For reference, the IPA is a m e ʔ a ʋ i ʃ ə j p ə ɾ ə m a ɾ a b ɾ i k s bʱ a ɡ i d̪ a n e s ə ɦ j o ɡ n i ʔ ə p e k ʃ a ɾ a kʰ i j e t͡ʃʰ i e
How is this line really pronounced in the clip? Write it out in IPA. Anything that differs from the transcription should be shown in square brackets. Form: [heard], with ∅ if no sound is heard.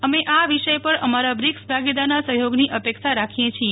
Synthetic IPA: [ə] m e ʔ a ʋ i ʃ ə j p ə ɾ ə m a ɾ a b ɾ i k s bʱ a ɡ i d̪ a n [a] s ə ɦ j o ɡ n i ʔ ə p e k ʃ a ɾ a kʰ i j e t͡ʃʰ i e